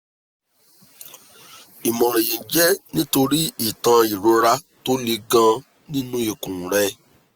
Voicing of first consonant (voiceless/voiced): voiced